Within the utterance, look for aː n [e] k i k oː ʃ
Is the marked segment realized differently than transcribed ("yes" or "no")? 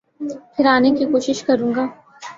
no